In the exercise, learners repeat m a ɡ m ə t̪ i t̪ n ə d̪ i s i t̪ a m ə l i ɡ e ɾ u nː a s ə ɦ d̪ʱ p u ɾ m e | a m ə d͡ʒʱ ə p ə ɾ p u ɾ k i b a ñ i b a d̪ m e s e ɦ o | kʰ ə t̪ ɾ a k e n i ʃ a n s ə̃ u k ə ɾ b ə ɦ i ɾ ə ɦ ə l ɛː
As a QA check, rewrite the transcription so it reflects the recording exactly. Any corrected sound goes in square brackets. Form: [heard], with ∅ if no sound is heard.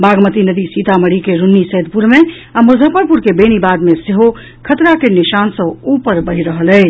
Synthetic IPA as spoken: [b] a ɡ m ə t̪ i [∅] n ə d̪ i s i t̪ a m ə [ɽ] i [k] e ɾ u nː [i] s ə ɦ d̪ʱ p u ɾ m e | a m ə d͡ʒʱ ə p ə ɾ p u ɾ k [e] b [e] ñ i b a d̪ m e s e ɦ o | kʰ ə t̪ ɾ a k e n i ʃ a n s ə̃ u [p] ə ɾ b ə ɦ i ɾ ə ɦ ə l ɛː